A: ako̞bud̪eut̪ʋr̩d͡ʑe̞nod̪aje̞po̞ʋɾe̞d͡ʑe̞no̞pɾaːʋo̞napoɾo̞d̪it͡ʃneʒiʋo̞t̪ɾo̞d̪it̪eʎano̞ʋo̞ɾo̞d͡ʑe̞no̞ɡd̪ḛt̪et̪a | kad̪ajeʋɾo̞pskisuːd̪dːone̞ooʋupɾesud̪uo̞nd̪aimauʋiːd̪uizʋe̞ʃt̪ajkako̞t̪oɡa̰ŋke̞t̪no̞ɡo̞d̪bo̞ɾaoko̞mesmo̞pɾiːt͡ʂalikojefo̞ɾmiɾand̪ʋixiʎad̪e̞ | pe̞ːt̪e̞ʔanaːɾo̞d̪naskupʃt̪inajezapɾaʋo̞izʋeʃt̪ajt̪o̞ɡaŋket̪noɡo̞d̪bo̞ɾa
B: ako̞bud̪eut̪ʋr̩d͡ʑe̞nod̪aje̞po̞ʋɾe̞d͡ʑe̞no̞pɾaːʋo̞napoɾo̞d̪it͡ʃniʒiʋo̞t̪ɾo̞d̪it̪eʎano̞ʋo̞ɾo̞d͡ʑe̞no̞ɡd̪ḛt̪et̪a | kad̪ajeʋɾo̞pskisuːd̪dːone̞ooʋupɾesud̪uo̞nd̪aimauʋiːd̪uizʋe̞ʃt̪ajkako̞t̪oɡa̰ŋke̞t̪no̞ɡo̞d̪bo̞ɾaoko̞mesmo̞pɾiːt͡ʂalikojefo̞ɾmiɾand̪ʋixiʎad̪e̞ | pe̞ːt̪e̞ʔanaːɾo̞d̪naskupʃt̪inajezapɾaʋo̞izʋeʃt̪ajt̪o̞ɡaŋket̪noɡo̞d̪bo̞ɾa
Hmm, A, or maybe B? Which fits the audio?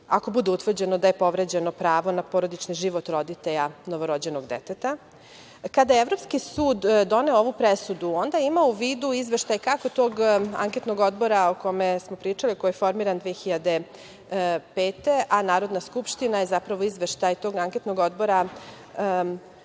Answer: B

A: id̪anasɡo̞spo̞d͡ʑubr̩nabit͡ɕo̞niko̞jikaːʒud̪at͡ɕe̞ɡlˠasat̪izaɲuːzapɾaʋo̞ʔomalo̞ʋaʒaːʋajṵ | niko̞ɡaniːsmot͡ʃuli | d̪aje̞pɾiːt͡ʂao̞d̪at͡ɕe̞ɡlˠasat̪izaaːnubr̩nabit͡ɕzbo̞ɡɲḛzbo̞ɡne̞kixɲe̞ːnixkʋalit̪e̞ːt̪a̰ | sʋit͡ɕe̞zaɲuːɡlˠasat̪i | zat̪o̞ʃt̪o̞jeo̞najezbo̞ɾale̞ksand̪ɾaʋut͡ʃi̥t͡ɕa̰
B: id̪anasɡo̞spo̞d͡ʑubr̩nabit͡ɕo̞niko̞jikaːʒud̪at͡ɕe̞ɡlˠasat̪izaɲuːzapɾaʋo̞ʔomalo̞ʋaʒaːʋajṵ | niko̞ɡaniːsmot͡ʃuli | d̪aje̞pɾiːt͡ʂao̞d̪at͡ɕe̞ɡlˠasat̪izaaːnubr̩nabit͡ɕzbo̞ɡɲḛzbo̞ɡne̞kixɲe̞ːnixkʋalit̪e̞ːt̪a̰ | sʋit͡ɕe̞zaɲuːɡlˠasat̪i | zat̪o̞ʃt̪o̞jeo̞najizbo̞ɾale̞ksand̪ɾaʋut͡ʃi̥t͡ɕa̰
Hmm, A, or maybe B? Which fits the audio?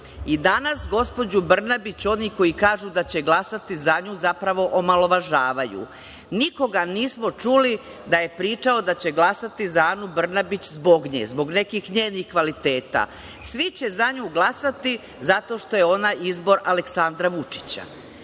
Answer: B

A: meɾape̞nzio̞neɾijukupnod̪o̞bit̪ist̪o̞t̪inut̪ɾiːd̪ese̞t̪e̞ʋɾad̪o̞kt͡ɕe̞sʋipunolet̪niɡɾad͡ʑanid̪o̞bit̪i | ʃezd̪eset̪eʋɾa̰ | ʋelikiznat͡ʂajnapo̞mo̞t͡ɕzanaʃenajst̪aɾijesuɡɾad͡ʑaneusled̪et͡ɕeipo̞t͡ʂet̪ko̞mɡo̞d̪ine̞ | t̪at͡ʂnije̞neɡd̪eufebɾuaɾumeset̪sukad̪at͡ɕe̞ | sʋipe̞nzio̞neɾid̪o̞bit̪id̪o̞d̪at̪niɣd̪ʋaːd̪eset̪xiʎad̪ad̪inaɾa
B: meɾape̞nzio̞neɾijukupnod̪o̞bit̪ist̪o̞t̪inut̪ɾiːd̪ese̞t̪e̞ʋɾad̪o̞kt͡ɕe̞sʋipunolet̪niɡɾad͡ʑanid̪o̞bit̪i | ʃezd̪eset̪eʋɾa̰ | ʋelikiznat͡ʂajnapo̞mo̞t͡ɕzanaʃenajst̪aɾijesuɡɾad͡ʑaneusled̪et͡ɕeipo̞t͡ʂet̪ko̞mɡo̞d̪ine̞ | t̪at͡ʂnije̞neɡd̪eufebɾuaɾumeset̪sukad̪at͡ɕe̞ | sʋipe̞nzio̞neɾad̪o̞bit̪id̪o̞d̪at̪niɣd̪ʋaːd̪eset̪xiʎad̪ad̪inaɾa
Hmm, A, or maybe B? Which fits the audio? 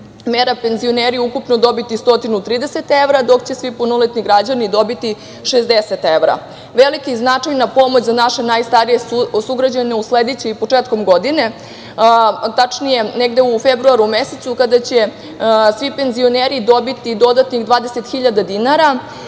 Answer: A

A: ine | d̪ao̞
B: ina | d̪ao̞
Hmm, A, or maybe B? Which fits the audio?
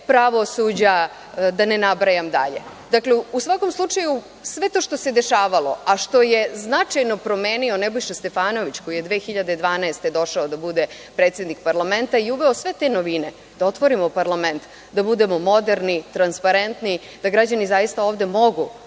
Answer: A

